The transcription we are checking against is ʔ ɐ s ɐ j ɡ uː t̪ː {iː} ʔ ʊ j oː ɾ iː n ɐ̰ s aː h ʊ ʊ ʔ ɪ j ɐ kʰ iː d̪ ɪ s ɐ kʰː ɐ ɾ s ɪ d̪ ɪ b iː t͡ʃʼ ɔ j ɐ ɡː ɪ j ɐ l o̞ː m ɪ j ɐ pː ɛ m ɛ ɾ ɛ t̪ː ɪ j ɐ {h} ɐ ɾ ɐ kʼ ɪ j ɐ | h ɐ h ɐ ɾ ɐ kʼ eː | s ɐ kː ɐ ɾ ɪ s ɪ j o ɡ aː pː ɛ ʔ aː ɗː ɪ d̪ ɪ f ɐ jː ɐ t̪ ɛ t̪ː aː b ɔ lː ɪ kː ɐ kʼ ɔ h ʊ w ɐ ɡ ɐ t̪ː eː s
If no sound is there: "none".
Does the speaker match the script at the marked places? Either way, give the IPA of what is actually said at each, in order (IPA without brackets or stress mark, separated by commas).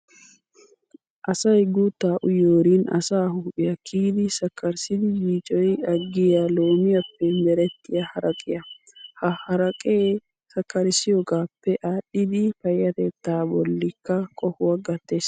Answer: aː, h